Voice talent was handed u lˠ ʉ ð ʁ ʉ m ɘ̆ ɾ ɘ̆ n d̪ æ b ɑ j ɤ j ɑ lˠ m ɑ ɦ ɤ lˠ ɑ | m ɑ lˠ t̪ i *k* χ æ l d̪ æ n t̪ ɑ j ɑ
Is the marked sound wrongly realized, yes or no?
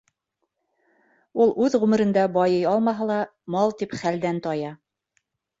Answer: yes